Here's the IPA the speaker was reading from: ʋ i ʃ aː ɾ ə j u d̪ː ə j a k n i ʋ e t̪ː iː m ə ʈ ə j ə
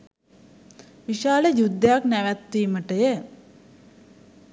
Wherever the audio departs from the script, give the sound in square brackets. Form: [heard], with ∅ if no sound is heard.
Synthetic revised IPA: ʋ i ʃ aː [l] ə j u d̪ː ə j a k n [æ] ʋ [æ] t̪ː iː m ə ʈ ə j ə

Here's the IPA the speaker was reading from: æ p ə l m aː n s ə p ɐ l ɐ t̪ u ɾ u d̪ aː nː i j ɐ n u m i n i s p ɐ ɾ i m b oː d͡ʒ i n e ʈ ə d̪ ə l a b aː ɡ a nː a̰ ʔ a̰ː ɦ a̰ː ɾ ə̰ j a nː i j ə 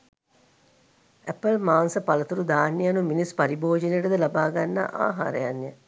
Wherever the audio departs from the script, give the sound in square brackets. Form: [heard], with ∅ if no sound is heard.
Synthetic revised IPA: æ p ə l m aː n s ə p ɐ l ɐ t̪ u ɾ u d̪ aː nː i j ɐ n u m i n i s p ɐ ɾ i [∅] b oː d͡ʒ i n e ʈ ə d̪ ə l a b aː ɡ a nː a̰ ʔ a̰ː ɦ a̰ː ɾ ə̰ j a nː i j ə

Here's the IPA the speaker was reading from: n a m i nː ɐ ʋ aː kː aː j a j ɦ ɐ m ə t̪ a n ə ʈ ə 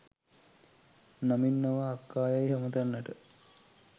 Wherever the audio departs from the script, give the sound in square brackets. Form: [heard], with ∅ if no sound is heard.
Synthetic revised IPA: n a m i nː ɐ ʋ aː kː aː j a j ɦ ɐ m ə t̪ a [nː] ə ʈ ə

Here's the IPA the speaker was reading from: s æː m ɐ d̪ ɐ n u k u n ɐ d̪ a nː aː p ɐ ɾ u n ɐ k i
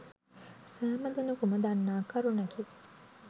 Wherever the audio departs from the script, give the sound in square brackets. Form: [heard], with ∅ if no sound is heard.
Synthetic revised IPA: s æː m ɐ d̪ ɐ n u k u [m] ɐ d̪ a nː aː [k] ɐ ɾ u n ɐ k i

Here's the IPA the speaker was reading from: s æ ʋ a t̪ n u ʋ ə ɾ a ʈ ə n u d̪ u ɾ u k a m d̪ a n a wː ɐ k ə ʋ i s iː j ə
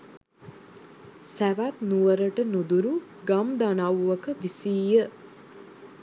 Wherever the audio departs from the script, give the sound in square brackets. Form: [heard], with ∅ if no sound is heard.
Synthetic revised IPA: s æ ʋ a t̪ n u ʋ ə ɾ [ə] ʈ ə n u d̪ u ɾ u [ɡ] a m d̪ a n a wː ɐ k ə ʋ i s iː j ə

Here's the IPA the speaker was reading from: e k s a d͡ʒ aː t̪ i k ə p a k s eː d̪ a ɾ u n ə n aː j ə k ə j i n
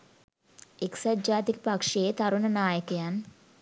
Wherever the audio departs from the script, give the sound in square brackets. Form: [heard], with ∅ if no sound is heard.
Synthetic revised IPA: e k s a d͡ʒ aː t̪ i k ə p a k [ʂ] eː [t̪] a ɾ u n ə n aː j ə k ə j [a] n

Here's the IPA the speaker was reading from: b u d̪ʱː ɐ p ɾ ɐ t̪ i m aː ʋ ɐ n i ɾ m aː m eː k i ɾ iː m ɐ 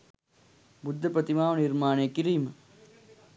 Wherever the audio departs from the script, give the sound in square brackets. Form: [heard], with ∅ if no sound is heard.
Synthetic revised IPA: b u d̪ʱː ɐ p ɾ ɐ t̪ i m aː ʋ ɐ n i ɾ m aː [n] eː k i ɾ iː m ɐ

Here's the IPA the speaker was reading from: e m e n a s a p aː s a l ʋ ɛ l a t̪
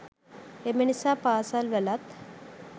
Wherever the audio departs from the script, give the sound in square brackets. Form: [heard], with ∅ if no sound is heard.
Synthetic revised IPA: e m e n [i] s a p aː s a l ʋ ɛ l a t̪

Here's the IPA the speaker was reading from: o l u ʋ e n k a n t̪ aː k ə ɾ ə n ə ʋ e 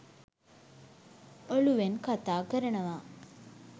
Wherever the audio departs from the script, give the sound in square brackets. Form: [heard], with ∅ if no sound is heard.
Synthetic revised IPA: o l u ʋ e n k a [∅] t̪ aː k ə ɾ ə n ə ʋ [a]

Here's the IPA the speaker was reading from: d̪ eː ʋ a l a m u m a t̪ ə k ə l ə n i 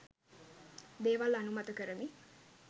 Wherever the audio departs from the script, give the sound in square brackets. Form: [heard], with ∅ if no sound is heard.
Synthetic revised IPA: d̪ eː ʋ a l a [n] u m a t̪ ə k ə [ɾ] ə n i

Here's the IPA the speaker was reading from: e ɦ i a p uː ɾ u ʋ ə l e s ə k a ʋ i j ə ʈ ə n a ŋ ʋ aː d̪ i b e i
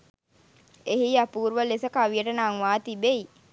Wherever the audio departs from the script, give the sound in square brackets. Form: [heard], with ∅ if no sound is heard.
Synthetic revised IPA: e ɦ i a p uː ɾ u ʋ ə l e s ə k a ʋ i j ə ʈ ə n a ŋ ʋ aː [t̪] i b e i

